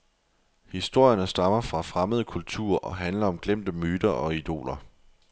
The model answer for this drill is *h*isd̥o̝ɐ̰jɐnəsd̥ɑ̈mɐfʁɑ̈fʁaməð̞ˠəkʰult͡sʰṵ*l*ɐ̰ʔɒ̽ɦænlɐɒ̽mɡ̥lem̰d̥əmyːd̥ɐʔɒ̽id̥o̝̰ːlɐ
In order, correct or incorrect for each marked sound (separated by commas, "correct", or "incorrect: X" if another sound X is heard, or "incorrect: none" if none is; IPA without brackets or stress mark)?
correct, incorrect: none